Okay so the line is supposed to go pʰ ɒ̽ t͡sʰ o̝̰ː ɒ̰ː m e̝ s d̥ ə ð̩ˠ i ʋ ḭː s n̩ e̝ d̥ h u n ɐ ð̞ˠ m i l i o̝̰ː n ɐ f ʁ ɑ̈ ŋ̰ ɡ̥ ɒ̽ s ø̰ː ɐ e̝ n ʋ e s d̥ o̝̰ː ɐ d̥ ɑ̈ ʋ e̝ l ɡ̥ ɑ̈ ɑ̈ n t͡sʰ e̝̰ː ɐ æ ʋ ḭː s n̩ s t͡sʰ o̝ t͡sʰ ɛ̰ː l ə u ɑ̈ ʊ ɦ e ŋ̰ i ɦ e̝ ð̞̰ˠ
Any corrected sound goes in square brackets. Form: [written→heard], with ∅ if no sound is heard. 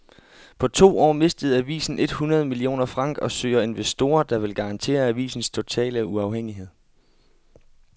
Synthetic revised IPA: pʰ ɒ̽ t͡sʰ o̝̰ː ɒ̰ː m e̝ s d̥ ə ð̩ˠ [i→æ] ʋ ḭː s n̩ e̝ d̥ h u n ɐ ð̞ˠ m i l i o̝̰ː n ɐ f ʁ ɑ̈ ŋ̰ ɡ̥ ɒ̽ s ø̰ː ɐ e̝ n ʋ e s d̥ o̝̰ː ɐ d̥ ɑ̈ ʋ e̝ l ɡ̥ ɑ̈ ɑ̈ n t͡sʰ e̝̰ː ɐ æ ʋ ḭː s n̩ s t͡sʰ o̝ t͡sʰ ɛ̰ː l ə u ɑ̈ ʊ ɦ e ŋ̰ i ɦ e̝ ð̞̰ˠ